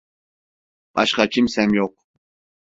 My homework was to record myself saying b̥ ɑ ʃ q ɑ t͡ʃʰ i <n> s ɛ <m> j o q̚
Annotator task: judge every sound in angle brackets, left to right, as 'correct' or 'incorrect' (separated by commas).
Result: incorrect, correct